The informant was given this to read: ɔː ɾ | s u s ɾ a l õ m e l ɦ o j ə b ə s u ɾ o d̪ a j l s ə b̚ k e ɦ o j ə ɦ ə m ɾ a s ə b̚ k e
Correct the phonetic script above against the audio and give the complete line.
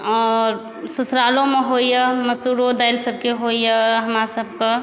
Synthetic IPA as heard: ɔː ɾ | s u s ɾ a l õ m e ɦ o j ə m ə s u ɾ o d̪ a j l s ə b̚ k e ɦ o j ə ɦ ə m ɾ a s ə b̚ k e